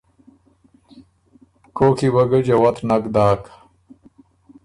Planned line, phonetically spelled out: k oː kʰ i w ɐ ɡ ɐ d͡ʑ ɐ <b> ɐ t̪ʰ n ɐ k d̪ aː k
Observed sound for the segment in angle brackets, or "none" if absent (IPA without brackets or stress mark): w